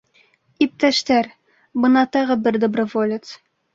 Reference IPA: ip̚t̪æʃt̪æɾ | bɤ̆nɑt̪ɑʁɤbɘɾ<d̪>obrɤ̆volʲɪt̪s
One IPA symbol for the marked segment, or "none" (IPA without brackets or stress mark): d̪